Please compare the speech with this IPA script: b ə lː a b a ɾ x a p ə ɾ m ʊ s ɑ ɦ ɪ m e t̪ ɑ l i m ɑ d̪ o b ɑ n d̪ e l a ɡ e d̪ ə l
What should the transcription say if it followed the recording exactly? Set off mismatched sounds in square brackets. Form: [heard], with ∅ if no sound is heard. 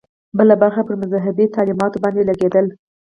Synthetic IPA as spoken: b ə [l] a b a ɾ x a p ə ɾ m ʊ [z] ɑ ɦ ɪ [b] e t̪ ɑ l i m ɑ [t̪] o b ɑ n d̪ e l a ɡ e d̪ ə l